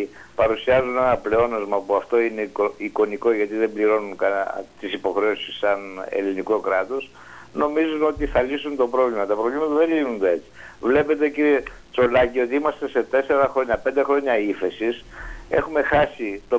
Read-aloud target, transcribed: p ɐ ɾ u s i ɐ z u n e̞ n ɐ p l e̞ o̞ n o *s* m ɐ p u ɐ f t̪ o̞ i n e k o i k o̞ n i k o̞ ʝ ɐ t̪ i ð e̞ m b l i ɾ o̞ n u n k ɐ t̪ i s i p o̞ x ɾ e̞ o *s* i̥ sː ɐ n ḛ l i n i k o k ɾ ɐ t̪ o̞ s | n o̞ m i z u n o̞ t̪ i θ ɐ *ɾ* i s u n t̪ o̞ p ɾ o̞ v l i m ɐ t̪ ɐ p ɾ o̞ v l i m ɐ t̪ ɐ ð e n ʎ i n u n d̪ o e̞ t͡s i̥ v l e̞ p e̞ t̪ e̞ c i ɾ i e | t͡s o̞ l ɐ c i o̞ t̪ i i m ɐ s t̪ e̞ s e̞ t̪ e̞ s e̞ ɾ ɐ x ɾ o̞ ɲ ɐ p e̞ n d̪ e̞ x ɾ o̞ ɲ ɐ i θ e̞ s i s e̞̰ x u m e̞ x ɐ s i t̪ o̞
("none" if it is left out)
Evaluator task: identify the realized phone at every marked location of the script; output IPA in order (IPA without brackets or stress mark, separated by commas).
z, s, l